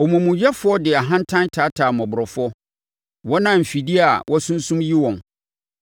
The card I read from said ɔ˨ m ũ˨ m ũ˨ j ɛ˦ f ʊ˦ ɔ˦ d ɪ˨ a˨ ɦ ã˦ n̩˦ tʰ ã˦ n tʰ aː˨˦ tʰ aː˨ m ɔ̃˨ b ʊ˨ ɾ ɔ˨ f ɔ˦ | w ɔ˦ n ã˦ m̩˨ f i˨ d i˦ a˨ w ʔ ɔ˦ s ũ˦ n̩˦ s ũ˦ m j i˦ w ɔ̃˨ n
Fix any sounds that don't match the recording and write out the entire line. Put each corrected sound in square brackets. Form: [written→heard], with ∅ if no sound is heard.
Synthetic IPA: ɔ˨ m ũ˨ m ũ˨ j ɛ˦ f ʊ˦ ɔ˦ d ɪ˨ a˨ ɦ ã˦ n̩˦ tʰ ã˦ n tʰ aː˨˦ tʰ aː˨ m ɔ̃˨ b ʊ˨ ɾ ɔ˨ f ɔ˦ | w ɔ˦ n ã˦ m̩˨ f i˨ d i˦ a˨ w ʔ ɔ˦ s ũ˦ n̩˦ s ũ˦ m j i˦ w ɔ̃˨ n

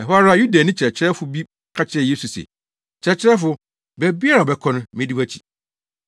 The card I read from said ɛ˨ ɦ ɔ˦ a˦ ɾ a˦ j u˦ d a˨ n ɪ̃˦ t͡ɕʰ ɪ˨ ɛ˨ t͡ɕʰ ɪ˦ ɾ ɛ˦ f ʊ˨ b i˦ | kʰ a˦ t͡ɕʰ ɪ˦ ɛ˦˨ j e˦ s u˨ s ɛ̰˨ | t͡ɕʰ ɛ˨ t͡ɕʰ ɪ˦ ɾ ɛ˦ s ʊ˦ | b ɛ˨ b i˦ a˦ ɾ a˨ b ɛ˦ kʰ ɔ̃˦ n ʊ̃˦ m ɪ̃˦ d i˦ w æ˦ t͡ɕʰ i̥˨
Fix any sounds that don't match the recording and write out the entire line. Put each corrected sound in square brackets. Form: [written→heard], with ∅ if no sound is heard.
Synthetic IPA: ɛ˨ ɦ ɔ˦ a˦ ɾ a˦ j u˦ d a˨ n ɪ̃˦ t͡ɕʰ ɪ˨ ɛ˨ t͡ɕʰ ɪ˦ ɾ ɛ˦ f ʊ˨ b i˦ | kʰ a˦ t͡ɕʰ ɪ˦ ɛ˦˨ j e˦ s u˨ s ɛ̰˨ | t͡ɕʰ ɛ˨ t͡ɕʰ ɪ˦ ɾ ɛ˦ [s→f] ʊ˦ | b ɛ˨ b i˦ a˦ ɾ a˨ b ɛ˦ kʰ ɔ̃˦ n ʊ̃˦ m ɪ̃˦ d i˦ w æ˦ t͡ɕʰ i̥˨

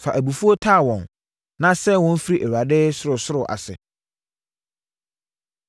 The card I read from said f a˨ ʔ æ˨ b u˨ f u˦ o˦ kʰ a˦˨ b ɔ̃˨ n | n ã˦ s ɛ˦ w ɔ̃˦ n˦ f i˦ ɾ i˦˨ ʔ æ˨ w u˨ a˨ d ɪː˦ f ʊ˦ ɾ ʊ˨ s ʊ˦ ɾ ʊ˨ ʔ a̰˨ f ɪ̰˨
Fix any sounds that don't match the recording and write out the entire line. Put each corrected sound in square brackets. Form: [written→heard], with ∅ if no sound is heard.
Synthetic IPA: f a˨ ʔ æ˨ b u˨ f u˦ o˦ [kʰ→tʰ] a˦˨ [b→w] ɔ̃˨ n | n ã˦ s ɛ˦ w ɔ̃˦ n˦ f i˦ ɾ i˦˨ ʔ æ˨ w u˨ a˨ d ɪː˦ [f→s] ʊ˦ ɾ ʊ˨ s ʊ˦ ɾ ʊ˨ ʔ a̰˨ [f→s] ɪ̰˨

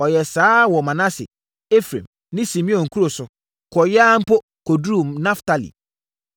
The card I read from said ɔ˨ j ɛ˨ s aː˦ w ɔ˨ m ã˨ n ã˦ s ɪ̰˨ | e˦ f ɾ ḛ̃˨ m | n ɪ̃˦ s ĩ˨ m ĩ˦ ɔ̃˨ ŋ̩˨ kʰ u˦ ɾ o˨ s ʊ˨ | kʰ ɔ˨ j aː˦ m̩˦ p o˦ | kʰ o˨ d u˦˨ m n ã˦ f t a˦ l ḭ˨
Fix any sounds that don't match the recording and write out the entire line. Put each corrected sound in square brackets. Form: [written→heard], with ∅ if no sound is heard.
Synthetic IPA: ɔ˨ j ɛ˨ s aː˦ w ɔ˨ m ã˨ n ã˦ s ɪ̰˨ | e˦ f ɾ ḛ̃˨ m | n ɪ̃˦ s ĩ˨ m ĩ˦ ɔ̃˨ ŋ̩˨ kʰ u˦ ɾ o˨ s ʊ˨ | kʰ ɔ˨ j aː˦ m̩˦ p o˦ | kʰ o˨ d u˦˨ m n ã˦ f t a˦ l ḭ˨

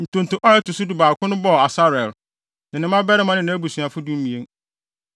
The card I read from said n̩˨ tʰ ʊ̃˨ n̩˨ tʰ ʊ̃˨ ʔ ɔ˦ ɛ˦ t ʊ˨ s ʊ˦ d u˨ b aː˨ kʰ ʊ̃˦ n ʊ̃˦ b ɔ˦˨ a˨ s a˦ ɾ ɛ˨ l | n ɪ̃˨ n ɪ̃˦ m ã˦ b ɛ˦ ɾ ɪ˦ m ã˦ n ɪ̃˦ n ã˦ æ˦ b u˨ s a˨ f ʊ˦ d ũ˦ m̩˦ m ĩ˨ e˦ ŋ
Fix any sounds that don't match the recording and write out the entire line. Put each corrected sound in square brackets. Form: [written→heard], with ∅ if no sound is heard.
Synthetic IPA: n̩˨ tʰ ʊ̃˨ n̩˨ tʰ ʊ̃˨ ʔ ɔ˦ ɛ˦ t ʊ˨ s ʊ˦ d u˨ b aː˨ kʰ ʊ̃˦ n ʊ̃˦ b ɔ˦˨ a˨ s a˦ ɾ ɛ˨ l | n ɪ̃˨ n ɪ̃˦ m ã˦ b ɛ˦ ɾ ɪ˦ m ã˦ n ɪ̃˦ n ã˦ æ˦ b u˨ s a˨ f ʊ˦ d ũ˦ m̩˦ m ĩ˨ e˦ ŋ

